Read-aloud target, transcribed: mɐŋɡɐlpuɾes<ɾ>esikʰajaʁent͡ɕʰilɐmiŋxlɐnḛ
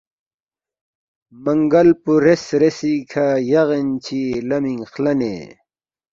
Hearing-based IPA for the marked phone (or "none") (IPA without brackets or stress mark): ɾ